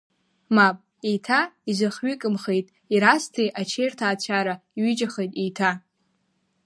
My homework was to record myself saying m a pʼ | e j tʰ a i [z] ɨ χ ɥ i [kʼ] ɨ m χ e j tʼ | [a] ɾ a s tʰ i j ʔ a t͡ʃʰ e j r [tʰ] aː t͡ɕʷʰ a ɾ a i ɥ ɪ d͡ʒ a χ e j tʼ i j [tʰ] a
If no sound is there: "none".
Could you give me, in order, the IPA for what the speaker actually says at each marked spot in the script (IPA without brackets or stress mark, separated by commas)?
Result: z, kʼ, i, tʰ, tʰ